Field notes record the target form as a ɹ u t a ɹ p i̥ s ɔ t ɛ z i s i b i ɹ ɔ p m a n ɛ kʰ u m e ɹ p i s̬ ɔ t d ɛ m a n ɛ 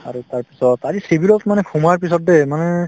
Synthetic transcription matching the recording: a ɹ u t a ɹ p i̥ s ɔ t a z i s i b i l ɔ t m a n ɛ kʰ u m a ɹ p i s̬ ɔ t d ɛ m a n ɛ